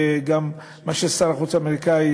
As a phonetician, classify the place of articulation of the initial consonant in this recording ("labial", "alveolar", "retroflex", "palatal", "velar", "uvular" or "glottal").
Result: velar